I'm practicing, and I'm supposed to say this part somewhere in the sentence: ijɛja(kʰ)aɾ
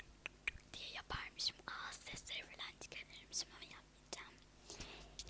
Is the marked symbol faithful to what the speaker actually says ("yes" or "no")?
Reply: no